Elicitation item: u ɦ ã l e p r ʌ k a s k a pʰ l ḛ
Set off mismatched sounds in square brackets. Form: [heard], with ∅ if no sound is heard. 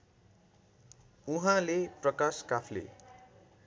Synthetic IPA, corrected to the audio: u ɦ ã l e p r ʌ k a s k a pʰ l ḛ